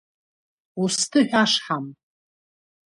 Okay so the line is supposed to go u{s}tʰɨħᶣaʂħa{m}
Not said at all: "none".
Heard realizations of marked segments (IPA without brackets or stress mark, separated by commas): s, m